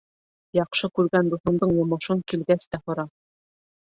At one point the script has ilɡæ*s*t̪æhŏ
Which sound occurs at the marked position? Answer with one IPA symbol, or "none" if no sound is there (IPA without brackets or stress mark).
s